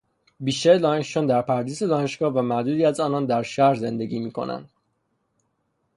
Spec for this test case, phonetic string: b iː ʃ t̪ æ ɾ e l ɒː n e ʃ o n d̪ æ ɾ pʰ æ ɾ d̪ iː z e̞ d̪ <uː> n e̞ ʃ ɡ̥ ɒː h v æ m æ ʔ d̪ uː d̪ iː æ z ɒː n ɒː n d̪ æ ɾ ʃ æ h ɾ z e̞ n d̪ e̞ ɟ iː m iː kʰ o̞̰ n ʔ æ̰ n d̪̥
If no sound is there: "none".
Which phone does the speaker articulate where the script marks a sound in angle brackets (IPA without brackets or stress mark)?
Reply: ɒː